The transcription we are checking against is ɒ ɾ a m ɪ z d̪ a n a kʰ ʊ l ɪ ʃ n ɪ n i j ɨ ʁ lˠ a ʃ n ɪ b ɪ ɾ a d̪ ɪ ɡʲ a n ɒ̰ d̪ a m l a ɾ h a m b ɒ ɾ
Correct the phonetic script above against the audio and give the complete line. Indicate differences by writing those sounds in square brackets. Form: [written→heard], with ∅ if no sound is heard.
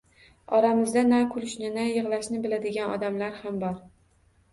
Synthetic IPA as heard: ɒ ɾ a m ɪ z d̪ a n a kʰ ʊ l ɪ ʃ n ɪ n [i→a] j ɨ ʁ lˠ a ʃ n ɪ b ɪ [ɾ→l] a d̪ ɪ ɡʲ a n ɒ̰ d̪ a m l a ɾ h a m b ɒ ɾ